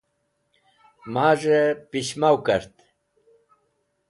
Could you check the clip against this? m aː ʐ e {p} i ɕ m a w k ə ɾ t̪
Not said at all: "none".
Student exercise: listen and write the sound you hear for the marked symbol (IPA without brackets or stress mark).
p